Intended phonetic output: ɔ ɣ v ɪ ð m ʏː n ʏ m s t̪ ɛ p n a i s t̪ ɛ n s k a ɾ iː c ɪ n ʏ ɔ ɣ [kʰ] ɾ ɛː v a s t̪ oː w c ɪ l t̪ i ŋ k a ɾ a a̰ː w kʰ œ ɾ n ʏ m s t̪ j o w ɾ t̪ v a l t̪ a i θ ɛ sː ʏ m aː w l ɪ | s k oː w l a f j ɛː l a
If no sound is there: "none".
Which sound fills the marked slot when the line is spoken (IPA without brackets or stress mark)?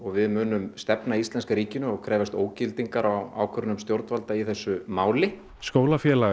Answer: kʰ